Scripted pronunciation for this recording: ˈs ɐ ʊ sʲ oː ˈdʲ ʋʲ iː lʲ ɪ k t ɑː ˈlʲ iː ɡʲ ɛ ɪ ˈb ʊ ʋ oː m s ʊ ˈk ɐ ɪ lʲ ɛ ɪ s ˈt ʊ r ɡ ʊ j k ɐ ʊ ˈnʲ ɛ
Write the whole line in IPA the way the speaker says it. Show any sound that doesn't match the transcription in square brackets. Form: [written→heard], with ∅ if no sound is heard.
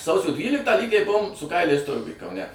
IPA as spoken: ˈs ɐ ʊ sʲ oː ˈdʲ ʋʲ iː lʲ ɪ k t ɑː ˈlʲ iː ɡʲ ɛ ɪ ˈb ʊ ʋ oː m s ʊ ˈk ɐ ɪ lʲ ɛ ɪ s ˈt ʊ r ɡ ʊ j k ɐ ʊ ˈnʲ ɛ